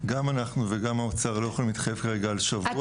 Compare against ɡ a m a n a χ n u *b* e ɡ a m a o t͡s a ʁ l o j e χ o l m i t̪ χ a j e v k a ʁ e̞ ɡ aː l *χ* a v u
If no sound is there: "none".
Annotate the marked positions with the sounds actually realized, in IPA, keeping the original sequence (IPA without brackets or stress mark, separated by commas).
v, ʃ